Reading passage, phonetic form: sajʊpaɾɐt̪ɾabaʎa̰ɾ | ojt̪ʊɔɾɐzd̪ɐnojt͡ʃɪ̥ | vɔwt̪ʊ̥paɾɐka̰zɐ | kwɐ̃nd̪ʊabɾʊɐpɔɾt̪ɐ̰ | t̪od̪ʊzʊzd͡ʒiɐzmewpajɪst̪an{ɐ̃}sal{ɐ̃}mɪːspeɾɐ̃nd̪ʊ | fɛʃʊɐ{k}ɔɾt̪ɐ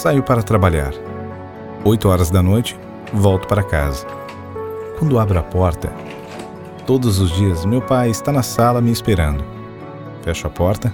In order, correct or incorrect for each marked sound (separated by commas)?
incorrect, incorrect, incorrect